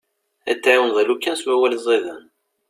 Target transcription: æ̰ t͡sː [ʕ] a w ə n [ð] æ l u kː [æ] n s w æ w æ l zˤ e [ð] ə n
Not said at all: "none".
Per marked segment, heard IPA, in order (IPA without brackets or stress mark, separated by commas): ʕ, ð, æ, ð